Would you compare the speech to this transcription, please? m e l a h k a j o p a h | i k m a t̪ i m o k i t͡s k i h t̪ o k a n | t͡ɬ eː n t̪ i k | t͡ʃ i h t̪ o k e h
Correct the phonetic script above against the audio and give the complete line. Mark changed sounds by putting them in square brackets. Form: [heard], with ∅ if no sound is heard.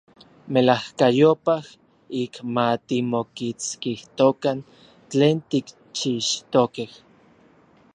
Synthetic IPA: m e l a h k a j o p a h | i k m a t̪ i m o k i t͡s k i h t̪ o k a n | t͡ɬ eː n t̪ i k | t͡ʃ i [ʃ] t̪ o k e h